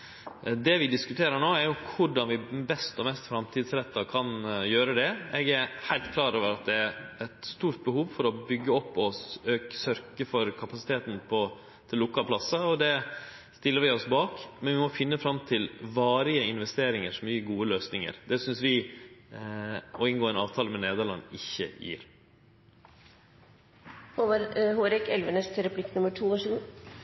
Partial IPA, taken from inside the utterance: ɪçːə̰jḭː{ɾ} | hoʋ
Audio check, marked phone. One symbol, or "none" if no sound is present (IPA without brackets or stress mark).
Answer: ɾ